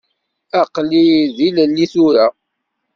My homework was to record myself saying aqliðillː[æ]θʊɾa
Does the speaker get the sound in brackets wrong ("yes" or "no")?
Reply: yes